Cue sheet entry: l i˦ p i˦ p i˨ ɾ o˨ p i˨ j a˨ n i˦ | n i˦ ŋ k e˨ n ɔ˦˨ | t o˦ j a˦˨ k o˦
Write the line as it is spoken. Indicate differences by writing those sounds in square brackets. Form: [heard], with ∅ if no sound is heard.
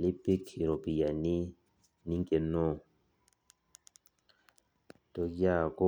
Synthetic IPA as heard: l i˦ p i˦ [k] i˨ ɾ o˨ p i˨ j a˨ n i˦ | n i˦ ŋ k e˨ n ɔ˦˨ | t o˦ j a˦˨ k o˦